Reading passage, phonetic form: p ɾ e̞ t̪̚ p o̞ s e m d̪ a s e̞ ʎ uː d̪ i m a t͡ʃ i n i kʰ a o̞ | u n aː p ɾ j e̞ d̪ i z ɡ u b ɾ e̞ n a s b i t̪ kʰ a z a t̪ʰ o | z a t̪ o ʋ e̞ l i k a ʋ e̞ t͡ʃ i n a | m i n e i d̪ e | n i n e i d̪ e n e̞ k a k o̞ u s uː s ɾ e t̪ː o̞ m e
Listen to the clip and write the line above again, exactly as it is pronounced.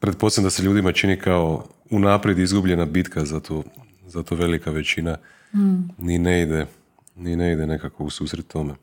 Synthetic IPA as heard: p ɾ e̞ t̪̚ p o̞ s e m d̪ a s e̞ ʎ uː d̪ i m a t͡ʃ i n i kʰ a o̞ | u n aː p ɾ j e̞ d̪ i z ɡ u b ʎ e̞ n a b i t̪ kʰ a z a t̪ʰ o | z a t̪ o ʋ e̞ l i k a ʋ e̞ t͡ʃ i n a | n i n e i d̪ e | n i n e i d̪ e n e̞ k a k o̞ u s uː s ɾ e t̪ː o̞ m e